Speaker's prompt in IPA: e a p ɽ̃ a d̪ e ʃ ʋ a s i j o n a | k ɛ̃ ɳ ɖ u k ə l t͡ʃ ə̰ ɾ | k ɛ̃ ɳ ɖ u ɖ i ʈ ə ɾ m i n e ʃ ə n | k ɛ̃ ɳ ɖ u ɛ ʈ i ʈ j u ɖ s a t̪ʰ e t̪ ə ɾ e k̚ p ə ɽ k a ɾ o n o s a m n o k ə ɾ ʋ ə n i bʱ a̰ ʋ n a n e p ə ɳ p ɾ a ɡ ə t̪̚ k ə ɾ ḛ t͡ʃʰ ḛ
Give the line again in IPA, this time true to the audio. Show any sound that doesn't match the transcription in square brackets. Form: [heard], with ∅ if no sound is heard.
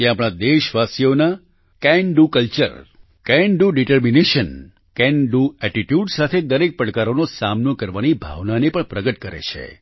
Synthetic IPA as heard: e a p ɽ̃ a d̪ e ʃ ʋ a s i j o n a | k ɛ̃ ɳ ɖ u k ə l t͡ʃ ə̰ ɾ | k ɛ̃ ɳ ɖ u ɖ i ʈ ə ɾ m i n e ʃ ə n | k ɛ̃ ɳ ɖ u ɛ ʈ i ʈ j u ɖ s a t̪ʰ e [d̪] ə ɾ e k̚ p ə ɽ k a ɾ o n o s a m n o k ə ɾ ʋ [a] n i bʱ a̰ ʋ n a n e p ə ɳ p ɾ [ə] ɡ ə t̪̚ k ə ɾ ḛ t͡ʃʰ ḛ